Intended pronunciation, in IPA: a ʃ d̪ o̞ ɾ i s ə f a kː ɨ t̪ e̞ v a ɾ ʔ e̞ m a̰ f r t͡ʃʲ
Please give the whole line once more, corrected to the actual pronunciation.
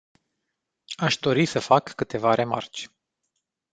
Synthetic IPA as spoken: a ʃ d̪ o̞ ɾ i s ə f a kː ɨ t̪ e̞ v a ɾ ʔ e̞ m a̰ r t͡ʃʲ